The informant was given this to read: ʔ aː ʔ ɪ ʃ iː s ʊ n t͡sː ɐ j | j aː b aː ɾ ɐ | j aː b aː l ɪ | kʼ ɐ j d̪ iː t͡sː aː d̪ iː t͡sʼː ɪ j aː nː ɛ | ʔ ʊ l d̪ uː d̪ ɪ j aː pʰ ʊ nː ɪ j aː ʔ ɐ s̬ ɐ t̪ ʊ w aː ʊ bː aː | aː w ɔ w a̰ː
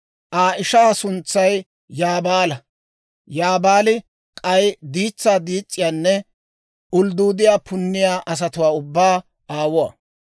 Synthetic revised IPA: ʔ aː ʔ ɪ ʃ aː s ʊ n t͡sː ɐ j | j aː b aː l ɐ | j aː b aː l ɪ | kʼ ɐ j d̪ iː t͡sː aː d̪ iː t͡sʼː ɪ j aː nː ɛ | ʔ ʊ l d̪ uː d̪ ɪ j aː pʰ ʊ nː ɪ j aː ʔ ɐ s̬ ɐ t̪ ʊ w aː ʊ bː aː | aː w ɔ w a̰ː